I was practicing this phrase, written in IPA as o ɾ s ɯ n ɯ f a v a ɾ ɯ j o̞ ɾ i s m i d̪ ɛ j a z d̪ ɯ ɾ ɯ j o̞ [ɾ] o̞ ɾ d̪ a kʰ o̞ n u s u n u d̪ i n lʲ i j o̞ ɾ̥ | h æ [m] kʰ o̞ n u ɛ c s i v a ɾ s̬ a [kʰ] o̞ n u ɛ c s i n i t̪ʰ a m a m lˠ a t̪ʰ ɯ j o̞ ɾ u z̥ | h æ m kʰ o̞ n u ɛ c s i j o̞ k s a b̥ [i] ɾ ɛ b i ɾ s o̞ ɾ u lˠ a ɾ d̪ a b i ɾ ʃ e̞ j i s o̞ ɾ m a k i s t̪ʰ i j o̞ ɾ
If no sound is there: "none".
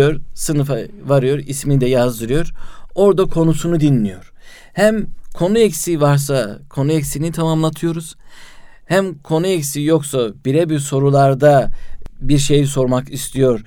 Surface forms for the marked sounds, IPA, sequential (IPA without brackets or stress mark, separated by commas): ɾ, m, kʰ, i